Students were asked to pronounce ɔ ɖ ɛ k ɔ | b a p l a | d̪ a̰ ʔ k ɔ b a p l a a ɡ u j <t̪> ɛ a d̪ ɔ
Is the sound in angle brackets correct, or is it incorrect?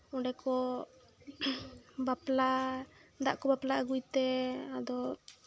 correct